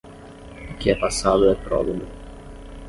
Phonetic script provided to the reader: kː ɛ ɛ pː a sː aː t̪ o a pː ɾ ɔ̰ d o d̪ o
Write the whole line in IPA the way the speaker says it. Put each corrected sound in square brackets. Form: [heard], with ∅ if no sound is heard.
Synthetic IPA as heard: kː [i] ɛ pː a sː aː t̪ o [ɛ] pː ɾ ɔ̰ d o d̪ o

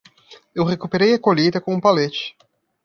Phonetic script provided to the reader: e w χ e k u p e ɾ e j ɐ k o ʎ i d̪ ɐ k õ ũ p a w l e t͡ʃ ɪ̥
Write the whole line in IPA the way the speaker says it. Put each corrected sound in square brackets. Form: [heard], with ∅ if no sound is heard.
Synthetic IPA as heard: e w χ e k u p e ɾ e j ɐ k o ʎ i d̪ ɐ k õ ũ p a [∅] l e t͡ʃ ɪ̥

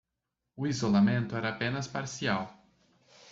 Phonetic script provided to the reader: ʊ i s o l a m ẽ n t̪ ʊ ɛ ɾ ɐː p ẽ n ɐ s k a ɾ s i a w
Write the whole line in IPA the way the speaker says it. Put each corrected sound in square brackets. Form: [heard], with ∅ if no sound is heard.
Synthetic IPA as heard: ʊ i [z] o l a m ẽ n t̪ ʊ ɛ ɾ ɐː p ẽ n ɐ s [p] a ɾ s i a w

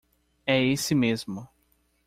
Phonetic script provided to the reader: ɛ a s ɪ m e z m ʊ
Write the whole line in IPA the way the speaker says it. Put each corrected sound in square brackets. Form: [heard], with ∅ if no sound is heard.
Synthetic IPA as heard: ɛ [e] s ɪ m e z m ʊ

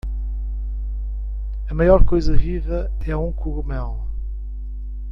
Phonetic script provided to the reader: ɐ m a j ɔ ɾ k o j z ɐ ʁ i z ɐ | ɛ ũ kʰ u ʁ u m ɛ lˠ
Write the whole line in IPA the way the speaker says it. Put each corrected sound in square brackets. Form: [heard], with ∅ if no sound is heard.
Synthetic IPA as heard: ɐ m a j ɔ ɾ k o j z ɐ ʁ i [ʁ] ɐ | ɛ ũ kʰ u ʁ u m ɛ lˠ

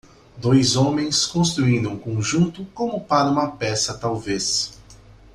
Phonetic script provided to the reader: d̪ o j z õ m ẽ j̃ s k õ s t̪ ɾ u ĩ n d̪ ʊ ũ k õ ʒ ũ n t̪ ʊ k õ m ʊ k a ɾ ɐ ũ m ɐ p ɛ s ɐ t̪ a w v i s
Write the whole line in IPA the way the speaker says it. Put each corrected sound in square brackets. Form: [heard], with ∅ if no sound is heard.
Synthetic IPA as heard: d̪ o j z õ m ẽ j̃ s k õ s t̪ ɾ u ĩ n d̪ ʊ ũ k õ ʒ ũ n t̪ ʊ k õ m ʊ [p] a ɾ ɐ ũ m ɐ p ɛ s ɐ t̪ a w v [e] s

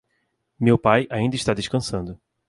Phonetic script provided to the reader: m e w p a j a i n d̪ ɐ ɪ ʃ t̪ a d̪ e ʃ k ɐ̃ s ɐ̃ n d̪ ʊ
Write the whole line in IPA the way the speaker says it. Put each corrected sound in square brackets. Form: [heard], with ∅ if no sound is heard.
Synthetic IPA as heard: m e w p a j a [ĩ] n d̪ ɐ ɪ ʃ t̪ a d̪ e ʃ k ɐ̃ s ɐ̃ n d̪ ʊ

